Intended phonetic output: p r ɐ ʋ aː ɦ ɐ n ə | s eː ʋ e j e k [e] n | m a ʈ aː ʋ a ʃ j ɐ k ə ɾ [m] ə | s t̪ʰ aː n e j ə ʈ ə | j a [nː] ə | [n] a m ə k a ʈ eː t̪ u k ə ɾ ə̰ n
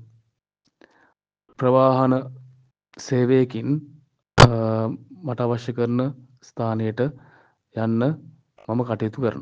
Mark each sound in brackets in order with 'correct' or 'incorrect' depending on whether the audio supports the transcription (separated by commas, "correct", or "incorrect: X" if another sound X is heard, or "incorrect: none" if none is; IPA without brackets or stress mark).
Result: incorrect: i, incorrect: n, correct, incorrect: m